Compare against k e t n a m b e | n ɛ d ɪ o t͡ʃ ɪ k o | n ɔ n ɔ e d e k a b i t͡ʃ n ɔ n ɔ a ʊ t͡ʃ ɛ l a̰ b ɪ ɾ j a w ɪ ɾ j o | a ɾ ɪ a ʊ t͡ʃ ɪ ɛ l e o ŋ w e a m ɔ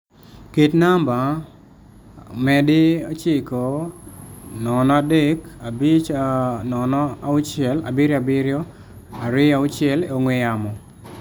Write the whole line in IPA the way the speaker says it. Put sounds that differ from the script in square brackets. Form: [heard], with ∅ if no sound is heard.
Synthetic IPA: k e t n a m b [a] | [m] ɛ d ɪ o t͡ʃ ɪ k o | n ɔ n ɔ [a] d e k a b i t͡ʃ n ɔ n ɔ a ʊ t͡ʃ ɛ l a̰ b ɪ ɾ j a [b] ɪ ɾ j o | a ɾ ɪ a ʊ t͡ʃ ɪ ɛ l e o ŋ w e a m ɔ